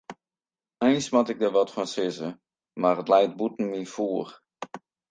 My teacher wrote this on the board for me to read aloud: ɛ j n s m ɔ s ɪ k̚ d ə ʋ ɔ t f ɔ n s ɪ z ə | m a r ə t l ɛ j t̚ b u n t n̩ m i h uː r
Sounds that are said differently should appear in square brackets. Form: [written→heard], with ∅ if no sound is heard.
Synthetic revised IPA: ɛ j n s m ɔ [s→t] ɪ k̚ d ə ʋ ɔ t f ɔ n s ɪ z ə | m a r ə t l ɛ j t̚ b u [n→∅] t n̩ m i [h→f] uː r